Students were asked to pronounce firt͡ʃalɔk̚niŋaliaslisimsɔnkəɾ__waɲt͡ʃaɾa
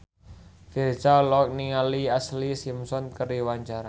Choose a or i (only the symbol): i